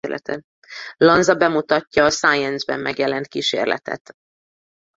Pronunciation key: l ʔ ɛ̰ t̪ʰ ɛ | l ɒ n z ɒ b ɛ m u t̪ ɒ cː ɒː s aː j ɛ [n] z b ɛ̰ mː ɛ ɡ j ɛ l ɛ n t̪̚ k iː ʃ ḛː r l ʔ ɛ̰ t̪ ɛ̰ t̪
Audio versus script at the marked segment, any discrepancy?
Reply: no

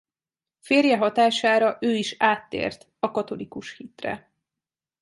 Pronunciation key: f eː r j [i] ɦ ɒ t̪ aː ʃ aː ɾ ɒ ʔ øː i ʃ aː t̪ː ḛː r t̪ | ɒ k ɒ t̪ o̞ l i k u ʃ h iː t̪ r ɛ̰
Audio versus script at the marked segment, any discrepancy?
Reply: yes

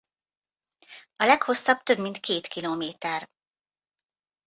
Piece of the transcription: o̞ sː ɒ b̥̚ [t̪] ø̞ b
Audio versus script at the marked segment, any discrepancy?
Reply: no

